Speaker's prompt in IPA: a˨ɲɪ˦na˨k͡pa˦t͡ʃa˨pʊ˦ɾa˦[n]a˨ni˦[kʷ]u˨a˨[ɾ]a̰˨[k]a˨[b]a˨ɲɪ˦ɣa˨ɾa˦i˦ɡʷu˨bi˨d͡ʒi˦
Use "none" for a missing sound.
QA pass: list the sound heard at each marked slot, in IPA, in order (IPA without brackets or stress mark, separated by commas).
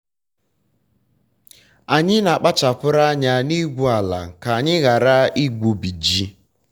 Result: ɲ, ɡʷ, l, k, none